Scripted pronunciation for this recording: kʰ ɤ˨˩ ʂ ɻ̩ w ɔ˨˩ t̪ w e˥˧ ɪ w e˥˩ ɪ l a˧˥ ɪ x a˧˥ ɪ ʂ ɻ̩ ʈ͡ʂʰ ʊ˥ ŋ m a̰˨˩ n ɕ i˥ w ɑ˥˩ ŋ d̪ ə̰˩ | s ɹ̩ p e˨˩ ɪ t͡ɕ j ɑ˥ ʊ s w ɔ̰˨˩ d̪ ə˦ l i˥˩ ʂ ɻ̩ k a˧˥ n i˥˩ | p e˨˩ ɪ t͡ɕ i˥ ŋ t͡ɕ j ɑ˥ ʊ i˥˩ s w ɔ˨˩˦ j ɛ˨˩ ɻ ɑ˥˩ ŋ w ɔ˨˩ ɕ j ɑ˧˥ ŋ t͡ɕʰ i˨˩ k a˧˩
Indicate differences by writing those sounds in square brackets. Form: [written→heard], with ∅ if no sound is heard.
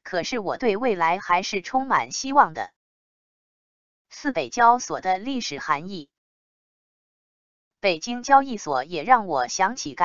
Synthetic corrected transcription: kʰ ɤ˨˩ ʂ ɻ̩ w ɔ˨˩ t̪ w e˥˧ ɪ w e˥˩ ɪ l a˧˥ ɪ x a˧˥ ɪ ʂ ɻ̩ ʈ͡ʂʰ ʊ˥ ŋ m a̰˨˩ n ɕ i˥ w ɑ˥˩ ŋ d̪ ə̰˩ | s ɹ̩ p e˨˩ ɪ t͡ɕ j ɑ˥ ʊ s w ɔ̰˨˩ d̪ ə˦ l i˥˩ ʂ ɻ̩ [k→x] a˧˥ n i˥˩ | p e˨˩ ɪ t͡ɕ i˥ ŋ t͡ɕ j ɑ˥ ʊ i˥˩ s w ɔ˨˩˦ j ɛ˨˩ ɻ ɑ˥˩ ŋ w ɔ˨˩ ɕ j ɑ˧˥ ŋ t͡ɕʰ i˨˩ k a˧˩